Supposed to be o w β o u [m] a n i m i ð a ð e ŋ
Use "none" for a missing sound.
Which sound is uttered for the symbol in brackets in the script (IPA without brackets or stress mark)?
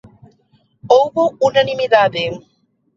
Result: n